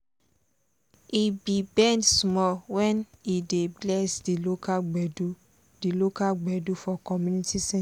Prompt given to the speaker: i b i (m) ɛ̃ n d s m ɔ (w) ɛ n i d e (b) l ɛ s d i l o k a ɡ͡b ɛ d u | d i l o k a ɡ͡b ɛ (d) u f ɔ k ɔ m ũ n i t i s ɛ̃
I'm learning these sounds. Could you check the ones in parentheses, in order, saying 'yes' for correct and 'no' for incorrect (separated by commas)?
no, yes, yes, yes